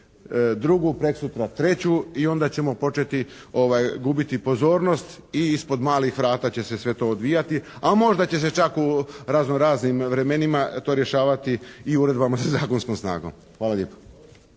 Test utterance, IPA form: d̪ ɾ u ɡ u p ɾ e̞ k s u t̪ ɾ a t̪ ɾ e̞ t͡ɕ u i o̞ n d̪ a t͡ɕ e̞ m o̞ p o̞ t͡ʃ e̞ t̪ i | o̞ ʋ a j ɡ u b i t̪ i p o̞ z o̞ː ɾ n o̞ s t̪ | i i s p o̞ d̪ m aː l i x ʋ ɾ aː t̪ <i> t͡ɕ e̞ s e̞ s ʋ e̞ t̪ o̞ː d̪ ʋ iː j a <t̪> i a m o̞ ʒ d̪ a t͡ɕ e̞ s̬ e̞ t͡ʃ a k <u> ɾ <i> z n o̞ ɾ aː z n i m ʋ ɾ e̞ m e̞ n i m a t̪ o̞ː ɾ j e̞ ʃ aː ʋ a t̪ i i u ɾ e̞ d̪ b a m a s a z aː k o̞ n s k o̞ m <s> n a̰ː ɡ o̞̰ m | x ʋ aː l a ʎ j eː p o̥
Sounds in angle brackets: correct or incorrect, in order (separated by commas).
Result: incorrect, correct, correct, incorrect, correct